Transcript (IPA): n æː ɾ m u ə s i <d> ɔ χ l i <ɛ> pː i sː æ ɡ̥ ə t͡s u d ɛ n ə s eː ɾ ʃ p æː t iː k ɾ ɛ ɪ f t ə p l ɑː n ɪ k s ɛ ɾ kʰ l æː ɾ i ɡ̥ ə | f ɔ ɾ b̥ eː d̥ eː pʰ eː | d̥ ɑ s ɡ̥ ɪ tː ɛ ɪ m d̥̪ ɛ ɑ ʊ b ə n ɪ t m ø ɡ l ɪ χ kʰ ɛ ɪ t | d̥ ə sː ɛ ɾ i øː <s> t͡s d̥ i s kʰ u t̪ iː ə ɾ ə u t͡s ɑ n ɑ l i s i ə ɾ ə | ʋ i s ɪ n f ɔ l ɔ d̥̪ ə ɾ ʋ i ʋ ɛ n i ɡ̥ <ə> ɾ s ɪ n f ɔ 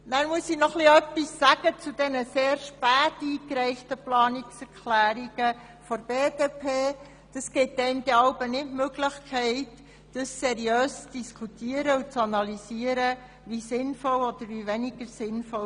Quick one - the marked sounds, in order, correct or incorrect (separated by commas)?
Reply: incorrect, incorrect, correct, correct